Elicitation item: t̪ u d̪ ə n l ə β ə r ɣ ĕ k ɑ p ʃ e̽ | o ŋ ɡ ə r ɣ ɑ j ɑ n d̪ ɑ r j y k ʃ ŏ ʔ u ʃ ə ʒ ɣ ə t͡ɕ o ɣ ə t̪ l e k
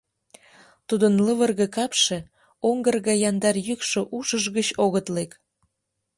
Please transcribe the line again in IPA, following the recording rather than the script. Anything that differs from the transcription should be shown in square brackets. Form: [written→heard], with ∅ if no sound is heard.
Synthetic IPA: t̪ u d̪ ə n l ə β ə r ɣ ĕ k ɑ p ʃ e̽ | o ŋ ɡ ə r ɣ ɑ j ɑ n d̪ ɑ r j y k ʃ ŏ ʔ u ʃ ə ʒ ɣ ə t͡ɕ o ɣ ə t̪ l e k